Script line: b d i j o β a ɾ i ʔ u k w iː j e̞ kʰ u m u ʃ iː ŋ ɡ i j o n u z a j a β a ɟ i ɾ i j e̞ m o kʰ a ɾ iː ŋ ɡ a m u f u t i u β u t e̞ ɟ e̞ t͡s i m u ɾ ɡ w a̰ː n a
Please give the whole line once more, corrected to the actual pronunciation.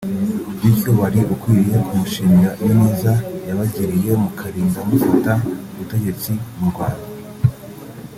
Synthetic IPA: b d i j o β a ɾ i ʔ u k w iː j e̞ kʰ u m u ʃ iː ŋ ɡ a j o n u z a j a β a ɟ i ɾ i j e̞ m u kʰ a ɾ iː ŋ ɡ a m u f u t a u β u t e̞ ɟ e̞ t͡s i m u ɾ ɡ w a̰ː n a